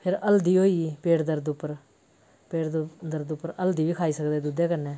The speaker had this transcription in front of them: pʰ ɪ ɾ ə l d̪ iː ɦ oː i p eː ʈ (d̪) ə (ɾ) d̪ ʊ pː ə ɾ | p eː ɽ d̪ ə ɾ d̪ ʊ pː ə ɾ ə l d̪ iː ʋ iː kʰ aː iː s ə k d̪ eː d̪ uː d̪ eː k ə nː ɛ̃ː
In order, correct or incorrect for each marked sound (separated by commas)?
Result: correct, correct